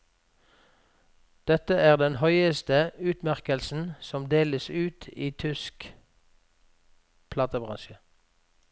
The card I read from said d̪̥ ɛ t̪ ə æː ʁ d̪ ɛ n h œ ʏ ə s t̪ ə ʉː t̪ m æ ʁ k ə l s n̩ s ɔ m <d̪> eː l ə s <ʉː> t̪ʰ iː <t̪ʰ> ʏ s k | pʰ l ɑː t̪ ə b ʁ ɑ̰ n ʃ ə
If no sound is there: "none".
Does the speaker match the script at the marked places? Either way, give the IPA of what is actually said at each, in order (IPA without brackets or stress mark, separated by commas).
d̪, ʉː, t̪ʰ